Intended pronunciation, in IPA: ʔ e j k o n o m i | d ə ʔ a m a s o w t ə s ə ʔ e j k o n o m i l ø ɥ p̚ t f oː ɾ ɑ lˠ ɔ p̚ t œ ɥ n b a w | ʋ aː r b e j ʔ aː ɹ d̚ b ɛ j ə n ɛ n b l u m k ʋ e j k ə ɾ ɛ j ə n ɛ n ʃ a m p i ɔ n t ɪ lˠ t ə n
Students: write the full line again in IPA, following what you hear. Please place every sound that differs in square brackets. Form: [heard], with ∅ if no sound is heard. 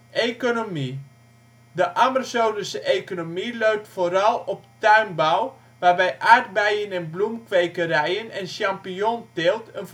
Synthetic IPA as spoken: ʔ e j k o n o m i | d ə ʔ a m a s o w [d] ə s ə ʔ e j k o n o m i l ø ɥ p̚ t f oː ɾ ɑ lˠ ɔ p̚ t œ ɥ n b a w | ʋ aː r b [ɛ] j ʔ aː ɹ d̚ b ɛ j ə n ɛ n b l u m k ʋ e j k ə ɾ ɛ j ə n ɛ n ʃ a m p i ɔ n t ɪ lˠ t ə n